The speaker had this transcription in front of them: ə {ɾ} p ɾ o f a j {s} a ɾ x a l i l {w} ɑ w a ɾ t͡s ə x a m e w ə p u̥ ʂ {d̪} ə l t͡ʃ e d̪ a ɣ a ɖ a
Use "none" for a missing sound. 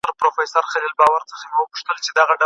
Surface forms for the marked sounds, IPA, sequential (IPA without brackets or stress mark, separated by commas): ɾ, s, b, t̪